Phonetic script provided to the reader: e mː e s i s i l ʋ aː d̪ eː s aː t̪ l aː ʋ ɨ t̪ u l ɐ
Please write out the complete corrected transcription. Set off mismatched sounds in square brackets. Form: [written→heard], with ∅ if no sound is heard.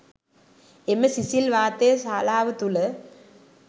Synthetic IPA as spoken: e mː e s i s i l ʋ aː [d̪→t̪] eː s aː [t̪→∅] l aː ʋ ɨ t̪ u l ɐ